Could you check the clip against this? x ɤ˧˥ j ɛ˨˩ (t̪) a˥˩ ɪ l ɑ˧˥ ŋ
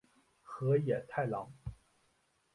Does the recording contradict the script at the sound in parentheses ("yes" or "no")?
yes